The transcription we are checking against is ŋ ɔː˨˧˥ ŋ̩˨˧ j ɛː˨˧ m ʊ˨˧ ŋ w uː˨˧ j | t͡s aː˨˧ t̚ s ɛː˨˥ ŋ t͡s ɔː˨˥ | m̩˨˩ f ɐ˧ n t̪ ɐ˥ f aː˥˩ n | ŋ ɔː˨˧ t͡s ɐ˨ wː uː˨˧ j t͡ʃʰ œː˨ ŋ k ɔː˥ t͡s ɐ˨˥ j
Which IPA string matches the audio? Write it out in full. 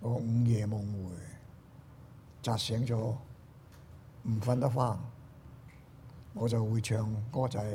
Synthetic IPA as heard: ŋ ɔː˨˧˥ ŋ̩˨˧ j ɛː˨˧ m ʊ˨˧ ŋ w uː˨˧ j | t͡s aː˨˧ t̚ s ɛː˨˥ ŋ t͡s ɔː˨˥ | m̩˨˩ f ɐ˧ n t̪ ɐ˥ f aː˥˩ n | ŋ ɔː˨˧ t͡s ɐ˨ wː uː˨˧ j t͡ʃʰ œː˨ ŋ k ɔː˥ t͡s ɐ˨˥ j